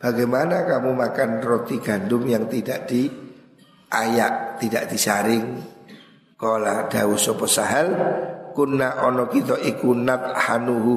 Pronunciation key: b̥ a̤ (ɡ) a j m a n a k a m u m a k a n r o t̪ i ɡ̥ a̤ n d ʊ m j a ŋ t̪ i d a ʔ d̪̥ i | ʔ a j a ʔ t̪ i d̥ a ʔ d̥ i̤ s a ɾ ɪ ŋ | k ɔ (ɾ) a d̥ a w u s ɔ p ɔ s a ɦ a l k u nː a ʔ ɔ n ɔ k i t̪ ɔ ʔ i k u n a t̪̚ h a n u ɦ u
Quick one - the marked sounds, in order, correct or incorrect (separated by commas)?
correct, incorrect